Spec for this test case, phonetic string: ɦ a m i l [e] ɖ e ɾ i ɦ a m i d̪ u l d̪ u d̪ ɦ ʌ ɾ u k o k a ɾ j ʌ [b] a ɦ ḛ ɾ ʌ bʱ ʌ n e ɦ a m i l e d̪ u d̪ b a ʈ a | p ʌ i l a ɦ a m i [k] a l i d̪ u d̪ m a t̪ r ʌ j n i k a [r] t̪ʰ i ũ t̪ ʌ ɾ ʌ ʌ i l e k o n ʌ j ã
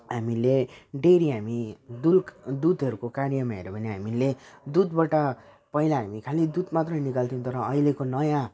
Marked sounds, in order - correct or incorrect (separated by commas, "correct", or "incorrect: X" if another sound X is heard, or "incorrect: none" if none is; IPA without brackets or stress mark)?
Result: correct, incorrect: m, incorrect: kʰ, incorrect: l